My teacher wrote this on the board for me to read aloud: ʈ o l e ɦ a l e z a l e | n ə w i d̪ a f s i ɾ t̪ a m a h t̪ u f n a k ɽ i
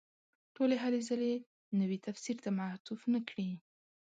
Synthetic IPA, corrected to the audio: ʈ o l e ɦ a l e z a l e | n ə w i t̪ a f s i ɾ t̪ a m a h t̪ u f n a k ɽ i